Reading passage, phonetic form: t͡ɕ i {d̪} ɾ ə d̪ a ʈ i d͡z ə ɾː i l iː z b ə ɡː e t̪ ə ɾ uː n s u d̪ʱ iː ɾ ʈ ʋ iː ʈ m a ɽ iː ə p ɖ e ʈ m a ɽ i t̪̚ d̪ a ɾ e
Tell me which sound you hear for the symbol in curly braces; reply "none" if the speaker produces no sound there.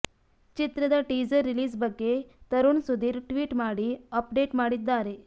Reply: t̪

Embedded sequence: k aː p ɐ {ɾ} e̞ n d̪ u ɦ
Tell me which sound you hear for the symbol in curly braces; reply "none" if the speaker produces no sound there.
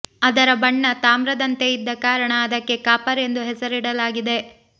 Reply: ɾ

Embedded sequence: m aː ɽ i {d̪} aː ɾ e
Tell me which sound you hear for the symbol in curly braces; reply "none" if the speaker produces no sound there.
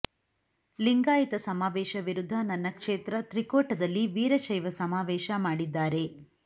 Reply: d̪ː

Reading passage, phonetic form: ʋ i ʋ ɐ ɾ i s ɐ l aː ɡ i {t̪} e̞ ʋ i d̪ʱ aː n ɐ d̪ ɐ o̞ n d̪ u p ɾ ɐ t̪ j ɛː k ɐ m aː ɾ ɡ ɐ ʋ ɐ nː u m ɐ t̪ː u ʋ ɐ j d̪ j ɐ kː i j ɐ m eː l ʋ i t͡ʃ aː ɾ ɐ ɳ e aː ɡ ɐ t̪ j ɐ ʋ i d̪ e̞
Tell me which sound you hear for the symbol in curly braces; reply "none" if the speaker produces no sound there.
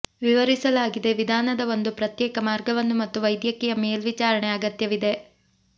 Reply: d̪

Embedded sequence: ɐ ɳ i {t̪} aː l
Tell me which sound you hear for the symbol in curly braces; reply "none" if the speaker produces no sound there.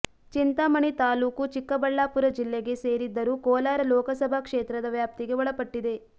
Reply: t̪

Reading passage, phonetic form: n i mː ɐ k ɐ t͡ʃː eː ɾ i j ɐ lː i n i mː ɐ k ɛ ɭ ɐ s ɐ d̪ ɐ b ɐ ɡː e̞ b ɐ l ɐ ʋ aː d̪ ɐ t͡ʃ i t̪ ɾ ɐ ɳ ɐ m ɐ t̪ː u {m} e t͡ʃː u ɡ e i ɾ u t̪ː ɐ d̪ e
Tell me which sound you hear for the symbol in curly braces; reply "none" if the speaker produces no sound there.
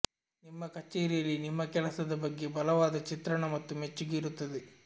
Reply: m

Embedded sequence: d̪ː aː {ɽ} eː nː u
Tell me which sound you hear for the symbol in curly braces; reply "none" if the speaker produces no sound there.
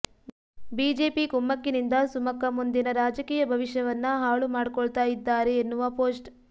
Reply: ɾ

